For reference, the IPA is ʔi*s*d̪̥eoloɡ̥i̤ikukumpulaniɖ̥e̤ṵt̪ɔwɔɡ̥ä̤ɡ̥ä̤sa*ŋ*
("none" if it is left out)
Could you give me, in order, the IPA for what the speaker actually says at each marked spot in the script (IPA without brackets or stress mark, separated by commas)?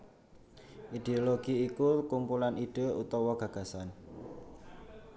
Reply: none, n